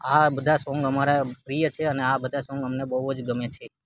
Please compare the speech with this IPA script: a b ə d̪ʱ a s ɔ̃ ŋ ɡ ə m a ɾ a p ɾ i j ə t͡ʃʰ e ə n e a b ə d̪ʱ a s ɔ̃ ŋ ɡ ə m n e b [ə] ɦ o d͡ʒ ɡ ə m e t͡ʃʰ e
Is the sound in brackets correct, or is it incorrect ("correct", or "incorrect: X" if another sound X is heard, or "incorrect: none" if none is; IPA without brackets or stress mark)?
correct